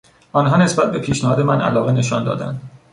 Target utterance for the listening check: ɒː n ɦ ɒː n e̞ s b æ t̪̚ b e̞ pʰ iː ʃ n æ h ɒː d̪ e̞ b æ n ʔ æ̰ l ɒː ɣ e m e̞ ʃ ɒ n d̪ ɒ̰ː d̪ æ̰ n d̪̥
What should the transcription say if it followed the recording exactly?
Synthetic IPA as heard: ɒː n ɦ ɒː n e̞ s b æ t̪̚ b e̞ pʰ iː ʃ n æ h ɒː d̪ e̞ m æ n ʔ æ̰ l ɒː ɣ e n e̞ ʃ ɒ n d̪ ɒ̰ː d̪ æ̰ n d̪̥